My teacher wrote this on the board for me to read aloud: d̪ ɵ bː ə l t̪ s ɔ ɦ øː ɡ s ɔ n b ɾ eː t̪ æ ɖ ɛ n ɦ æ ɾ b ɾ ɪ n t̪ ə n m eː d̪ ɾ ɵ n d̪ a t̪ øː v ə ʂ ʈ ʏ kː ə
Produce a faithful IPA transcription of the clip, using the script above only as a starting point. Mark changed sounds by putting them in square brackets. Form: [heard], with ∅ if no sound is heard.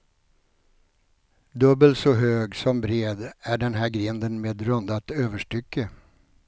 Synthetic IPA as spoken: d̪ ɵ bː ə l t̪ s ɔ ɦ øː ɡ s ɔ [m] b ɾ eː [d̪] æ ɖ ɛ n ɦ æ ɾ [ɡ] ɾ ɪ n [d̪] ə n m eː d̪ ɾ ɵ n d̪ a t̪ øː v ə ʂ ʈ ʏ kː ə